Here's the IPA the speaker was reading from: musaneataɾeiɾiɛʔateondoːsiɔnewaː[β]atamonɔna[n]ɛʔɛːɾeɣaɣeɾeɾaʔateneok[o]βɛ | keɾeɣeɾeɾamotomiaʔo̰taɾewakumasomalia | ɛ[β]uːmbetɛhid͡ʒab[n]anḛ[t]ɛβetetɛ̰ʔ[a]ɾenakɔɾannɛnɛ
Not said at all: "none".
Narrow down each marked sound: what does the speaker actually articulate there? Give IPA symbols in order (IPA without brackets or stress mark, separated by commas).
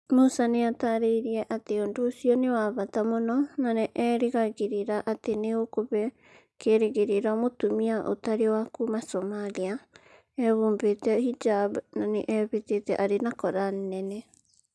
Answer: β, n, o, β, n, ʔ, a